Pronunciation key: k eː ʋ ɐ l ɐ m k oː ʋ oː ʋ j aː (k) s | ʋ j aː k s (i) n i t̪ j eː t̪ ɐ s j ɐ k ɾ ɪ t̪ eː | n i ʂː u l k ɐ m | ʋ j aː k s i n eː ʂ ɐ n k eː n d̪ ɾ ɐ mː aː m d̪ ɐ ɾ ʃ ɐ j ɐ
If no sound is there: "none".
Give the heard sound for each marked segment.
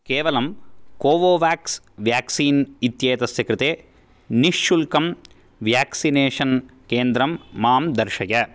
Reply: k, iː

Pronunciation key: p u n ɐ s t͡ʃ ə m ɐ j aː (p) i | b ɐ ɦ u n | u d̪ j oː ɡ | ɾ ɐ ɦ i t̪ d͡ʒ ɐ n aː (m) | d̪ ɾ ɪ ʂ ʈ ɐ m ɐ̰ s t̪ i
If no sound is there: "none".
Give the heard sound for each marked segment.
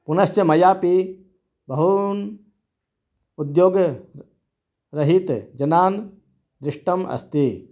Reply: p, n

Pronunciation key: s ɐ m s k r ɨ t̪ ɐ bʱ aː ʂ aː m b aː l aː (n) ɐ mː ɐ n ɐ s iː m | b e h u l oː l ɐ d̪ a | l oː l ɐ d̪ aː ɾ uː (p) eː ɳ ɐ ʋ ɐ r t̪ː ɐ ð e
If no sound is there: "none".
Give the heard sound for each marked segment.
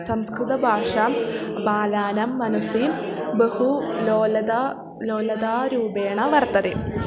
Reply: n, b

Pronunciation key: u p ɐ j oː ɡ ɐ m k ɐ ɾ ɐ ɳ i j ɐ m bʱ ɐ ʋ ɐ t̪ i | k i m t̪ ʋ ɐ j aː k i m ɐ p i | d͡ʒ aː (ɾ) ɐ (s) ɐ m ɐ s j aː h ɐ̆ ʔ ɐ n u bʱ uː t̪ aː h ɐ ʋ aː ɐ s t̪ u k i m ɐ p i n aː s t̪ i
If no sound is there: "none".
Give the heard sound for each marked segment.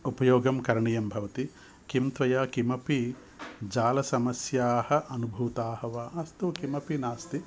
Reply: l, s

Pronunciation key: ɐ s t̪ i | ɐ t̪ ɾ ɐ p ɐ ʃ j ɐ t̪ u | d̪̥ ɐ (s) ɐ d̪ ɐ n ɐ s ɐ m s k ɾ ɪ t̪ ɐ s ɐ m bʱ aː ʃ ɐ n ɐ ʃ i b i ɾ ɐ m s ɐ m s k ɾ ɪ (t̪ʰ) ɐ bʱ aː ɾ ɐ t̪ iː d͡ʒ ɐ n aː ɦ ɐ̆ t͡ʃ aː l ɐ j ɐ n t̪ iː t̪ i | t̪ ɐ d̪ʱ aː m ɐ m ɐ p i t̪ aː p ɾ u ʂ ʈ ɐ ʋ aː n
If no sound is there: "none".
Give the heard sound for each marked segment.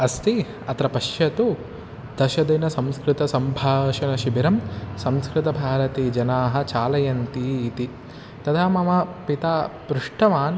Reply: ʃ, t̪

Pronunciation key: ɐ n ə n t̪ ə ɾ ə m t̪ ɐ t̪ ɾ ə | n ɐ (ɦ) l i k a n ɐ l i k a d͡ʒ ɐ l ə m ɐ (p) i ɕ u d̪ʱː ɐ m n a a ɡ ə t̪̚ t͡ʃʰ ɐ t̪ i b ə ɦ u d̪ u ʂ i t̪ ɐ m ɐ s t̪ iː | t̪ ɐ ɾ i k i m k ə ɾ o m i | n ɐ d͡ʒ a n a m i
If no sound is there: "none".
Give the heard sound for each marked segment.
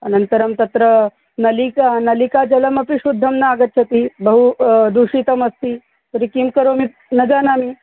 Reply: none, p

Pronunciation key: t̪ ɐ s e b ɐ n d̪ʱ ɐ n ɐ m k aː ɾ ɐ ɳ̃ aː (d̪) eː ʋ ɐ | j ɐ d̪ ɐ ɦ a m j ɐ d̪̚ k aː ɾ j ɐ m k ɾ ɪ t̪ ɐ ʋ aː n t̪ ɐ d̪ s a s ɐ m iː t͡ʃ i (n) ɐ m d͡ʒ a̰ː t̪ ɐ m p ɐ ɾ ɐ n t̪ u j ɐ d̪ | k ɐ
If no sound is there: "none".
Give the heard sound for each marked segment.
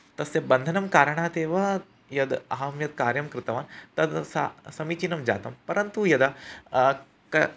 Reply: t̪, n

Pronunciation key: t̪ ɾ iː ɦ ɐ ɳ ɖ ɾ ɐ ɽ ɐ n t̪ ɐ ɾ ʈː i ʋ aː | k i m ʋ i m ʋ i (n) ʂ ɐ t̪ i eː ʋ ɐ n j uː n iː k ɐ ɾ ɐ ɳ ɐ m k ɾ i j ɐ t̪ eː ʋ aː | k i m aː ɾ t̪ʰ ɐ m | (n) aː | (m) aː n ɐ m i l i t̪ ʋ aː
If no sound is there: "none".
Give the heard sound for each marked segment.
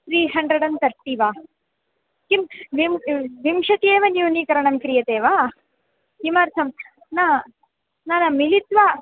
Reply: m, n, n

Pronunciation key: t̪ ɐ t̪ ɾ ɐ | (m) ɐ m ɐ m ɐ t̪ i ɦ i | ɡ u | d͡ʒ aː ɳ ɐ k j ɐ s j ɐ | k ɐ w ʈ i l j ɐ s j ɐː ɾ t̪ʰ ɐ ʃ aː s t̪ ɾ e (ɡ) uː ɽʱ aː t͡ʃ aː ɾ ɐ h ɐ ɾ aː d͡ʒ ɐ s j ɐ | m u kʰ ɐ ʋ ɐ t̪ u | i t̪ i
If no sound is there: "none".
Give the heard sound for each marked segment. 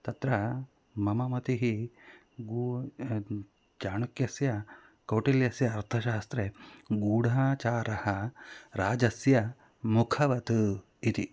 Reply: m, ɡ

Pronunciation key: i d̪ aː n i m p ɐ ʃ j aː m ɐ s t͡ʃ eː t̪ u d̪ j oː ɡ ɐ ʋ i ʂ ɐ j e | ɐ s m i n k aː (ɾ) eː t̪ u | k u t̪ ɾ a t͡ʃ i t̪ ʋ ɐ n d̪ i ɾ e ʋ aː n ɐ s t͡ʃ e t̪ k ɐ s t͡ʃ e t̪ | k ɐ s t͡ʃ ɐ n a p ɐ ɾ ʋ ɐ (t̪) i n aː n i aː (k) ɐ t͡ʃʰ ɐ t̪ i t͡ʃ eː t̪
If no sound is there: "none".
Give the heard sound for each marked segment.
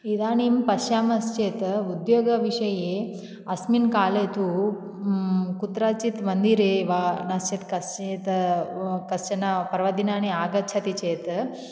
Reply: l, d̪, ɡ

